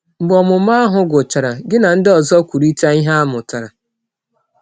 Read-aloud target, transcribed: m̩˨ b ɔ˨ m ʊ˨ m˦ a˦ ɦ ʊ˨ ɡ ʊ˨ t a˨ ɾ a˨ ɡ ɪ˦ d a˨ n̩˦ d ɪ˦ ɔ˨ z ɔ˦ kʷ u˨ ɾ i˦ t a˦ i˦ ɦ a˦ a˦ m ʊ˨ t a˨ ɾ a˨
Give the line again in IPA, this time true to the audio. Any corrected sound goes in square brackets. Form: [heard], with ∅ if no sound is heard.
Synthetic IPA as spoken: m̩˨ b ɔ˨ m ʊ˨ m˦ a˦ ɦ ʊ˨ ɡ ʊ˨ [t͡ʃ] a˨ ɾ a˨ ɡ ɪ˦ [n] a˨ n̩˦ d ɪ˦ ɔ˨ z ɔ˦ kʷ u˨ ɾ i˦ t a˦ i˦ ɦ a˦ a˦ m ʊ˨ t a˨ ɾ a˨